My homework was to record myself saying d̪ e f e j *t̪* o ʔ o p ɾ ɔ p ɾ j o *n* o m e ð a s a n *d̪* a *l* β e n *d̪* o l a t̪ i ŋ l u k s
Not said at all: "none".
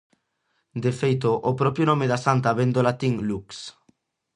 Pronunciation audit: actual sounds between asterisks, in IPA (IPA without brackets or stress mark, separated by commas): t̪, n, t̪, none, d̪